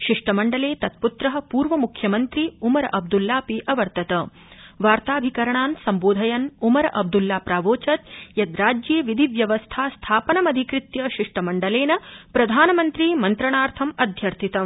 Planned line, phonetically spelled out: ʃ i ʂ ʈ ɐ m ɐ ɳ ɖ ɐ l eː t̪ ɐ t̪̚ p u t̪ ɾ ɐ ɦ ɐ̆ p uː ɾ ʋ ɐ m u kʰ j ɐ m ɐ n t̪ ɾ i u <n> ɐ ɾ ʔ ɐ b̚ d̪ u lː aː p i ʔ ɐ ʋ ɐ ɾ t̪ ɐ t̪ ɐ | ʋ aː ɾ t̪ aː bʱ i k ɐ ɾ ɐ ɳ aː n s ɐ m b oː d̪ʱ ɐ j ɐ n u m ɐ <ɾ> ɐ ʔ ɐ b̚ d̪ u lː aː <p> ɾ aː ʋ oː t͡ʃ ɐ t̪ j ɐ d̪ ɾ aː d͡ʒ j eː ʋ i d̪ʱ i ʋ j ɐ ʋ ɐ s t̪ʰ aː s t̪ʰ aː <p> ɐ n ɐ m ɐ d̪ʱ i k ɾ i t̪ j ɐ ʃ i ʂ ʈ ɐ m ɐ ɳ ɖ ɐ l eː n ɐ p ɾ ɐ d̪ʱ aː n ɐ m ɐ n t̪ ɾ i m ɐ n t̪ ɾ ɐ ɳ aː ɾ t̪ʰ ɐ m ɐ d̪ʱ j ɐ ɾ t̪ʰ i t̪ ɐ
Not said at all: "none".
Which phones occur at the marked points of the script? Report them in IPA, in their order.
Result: m, ɾ, p, p

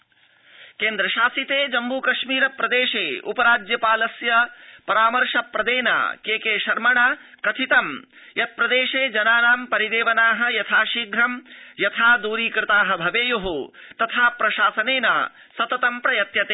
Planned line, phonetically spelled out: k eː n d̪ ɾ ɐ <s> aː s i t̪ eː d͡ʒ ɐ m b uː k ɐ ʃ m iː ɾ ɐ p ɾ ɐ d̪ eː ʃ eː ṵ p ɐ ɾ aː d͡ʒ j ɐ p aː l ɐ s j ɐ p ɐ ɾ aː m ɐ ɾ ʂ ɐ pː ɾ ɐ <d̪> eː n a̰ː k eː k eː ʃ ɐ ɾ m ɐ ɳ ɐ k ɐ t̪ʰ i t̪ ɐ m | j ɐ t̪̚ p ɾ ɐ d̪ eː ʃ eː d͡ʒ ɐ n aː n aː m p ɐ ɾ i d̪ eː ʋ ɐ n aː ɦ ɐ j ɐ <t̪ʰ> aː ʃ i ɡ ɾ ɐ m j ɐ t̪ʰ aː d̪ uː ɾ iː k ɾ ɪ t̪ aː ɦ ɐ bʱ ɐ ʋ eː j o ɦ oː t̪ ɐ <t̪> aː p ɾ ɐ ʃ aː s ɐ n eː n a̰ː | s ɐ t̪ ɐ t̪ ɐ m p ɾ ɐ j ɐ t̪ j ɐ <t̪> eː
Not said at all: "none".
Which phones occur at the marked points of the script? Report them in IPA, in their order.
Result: ʃ, d̪, t̪ʰ, t̪ʰ, t̪

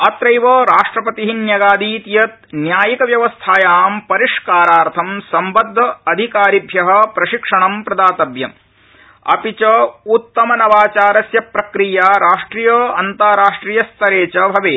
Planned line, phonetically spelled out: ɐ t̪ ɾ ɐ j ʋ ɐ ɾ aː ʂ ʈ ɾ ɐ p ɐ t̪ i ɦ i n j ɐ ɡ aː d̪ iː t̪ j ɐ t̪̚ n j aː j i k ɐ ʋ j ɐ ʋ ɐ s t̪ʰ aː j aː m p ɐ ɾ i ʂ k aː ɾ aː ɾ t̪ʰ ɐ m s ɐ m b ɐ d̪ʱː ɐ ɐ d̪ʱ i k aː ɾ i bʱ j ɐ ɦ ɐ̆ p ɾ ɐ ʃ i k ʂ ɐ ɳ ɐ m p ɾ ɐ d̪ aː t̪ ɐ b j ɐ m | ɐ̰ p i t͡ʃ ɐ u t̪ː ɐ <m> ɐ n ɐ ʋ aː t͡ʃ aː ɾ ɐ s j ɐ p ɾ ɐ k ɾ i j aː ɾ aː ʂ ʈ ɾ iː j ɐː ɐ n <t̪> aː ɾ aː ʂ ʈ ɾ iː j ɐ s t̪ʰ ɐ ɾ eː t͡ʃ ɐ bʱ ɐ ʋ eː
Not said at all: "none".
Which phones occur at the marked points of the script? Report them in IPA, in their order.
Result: m, t̪

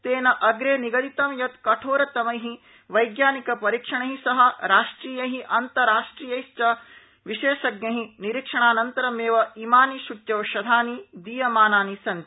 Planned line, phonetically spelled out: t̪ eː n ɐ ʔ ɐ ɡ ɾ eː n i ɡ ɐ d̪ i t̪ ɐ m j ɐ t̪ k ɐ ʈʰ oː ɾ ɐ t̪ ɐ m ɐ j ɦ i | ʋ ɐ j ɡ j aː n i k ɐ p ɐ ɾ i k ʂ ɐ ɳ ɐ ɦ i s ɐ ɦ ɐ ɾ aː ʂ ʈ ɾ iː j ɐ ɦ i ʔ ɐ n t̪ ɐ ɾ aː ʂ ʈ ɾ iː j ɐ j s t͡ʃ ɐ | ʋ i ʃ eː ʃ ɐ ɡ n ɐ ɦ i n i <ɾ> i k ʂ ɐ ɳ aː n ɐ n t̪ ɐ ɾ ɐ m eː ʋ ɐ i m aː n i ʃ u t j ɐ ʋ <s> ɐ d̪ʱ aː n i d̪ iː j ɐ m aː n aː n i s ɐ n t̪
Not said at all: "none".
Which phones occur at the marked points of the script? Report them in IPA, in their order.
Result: ɾ, ʃ

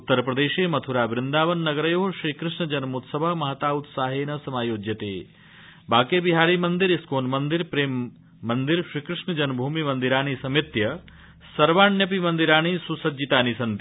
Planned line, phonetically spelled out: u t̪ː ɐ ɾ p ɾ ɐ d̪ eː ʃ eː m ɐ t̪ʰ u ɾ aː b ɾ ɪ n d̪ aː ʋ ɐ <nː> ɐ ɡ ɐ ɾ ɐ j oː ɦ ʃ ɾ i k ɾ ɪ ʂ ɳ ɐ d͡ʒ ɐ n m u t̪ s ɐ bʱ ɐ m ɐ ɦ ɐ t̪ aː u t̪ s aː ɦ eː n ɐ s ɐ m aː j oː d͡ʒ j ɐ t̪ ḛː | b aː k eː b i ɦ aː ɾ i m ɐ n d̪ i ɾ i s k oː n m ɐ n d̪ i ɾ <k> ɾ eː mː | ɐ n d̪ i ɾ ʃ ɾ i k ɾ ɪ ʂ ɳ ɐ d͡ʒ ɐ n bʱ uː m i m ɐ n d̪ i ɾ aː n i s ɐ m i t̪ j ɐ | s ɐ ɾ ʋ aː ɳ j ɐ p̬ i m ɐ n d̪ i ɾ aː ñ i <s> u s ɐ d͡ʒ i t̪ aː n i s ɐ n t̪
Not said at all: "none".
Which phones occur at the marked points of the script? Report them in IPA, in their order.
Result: nː, p, s

